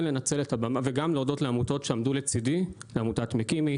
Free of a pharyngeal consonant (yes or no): yes